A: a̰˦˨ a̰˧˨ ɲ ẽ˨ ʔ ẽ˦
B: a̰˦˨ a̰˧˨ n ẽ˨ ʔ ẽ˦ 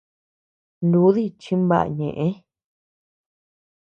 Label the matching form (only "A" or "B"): A